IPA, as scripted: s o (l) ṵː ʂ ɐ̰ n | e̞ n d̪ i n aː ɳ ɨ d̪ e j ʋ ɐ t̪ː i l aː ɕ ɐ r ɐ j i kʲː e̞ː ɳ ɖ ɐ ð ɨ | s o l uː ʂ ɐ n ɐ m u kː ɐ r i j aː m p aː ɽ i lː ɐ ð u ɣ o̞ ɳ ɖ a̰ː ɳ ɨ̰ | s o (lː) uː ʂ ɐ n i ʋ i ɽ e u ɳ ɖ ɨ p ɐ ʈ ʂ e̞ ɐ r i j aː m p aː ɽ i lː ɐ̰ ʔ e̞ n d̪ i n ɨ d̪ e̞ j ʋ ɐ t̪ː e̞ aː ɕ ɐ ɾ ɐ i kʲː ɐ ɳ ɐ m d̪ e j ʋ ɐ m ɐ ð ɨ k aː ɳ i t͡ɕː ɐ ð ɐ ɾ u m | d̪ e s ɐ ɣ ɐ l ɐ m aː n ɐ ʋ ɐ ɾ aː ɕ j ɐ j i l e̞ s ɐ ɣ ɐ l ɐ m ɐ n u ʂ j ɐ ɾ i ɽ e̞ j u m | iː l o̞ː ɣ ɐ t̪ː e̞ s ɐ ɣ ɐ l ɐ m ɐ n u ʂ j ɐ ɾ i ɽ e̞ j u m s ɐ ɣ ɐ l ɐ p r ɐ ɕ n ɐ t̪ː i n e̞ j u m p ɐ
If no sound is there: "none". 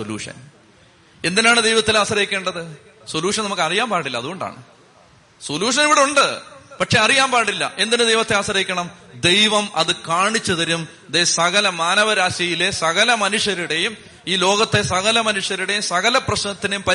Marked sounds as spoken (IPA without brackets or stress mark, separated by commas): l, l